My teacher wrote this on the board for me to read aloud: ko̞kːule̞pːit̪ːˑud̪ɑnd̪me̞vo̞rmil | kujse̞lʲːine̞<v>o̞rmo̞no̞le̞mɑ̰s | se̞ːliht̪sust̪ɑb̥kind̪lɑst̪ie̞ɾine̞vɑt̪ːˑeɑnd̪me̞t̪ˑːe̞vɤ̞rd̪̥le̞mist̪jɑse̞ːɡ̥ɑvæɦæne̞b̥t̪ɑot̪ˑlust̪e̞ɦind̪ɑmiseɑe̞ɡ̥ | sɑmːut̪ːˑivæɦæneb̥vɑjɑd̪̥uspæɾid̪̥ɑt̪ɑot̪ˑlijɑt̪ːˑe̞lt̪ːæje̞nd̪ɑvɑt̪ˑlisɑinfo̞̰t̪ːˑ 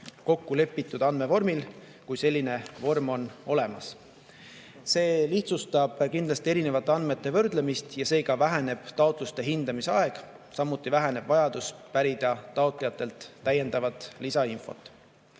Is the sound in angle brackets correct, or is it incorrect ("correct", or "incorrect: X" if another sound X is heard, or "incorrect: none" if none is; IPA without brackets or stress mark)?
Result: correct